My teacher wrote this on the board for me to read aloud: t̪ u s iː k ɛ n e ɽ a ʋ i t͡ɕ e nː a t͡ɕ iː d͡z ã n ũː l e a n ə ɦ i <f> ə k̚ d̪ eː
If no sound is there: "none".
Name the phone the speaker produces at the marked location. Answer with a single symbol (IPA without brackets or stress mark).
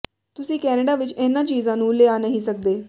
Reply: s